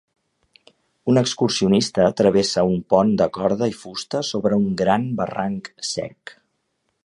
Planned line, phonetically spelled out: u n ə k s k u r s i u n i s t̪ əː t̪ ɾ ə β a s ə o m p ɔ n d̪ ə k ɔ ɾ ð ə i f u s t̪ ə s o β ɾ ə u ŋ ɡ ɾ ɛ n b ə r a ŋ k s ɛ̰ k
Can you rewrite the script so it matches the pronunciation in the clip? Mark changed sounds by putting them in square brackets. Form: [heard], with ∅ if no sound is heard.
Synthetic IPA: u n ə k s k u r s i u n i s t̪ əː t̪ ɾ ə β [e] s ə [u] m p ɔ n d̪ ə k ɔ ɾ ð ə i f u s t̪ ə s o β ɾ ə u ŋ ɡ ɾ [a] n b ə r a ŋ k s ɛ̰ k